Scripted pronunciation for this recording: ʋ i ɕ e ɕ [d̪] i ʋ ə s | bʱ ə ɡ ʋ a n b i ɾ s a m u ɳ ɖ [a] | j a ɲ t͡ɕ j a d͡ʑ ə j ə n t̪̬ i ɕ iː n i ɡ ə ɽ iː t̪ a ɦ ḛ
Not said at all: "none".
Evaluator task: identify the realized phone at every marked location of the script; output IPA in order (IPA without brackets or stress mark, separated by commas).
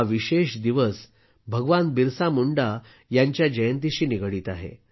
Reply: d̪, a